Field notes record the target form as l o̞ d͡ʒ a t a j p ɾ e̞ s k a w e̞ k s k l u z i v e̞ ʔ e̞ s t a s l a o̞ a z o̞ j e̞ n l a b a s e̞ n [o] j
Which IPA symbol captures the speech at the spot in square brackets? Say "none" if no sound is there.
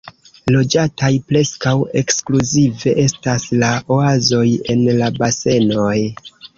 o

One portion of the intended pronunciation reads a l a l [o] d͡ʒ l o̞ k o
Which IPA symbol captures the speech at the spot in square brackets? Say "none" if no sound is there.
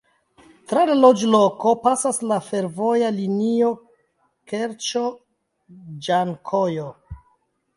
o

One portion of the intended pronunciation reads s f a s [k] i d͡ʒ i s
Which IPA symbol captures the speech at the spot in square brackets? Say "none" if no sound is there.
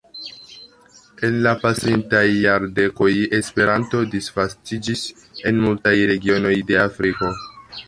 t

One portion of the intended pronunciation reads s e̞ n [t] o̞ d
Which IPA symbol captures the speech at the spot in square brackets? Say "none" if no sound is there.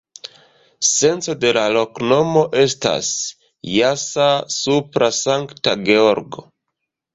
t͡s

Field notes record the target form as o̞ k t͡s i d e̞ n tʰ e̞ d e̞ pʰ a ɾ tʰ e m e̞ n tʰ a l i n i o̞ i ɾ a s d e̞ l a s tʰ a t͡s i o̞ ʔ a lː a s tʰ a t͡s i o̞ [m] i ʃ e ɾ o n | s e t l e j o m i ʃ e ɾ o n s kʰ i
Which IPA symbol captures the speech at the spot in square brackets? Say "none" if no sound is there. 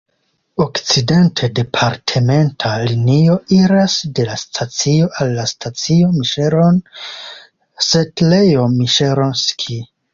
m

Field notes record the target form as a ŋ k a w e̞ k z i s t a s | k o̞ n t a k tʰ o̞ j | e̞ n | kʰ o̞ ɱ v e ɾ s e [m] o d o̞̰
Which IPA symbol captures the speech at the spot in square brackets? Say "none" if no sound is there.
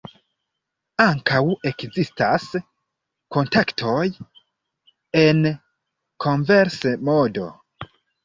m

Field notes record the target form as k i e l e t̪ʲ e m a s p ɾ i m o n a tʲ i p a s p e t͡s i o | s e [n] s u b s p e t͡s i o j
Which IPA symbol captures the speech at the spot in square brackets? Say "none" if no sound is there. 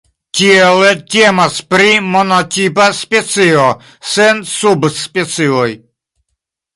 n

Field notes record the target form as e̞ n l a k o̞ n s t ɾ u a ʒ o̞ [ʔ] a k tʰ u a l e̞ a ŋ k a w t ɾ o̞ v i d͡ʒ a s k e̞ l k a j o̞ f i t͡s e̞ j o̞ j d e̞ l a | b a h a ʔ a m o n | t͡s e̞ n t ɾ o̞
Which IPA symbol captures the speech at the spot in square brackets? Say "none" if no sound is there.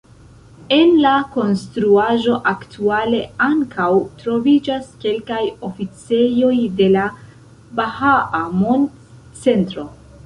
ʔ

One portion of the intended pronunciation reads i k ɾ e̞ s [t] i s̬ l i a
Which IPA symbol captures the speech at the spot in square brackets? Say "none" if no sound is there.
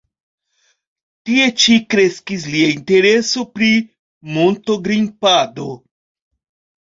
k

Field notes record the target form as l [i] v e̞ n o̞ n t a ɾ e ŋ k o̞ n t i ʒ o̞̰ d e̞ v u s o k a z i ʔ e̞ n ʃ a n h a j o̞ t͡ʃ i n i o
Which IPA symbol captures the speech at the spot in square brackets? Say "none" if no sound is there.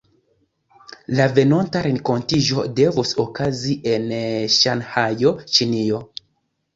a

